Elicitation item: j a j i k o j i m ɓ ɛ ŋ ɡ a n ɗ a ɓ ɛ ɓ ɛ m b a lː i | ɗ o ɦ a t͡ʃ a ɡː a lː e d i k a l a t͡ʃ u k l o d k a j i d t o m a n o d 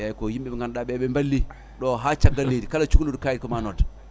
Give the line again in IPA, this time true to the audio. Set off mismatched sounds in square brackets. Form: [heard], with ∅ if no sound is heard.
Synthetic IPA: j a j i k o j i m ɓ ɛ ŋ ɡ a n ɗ a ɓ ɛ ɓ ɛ m b a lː i | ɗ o ɦ a t͡ʃ a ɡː a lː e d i k a l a t͡ʃ u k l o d k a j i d [k] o m a n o d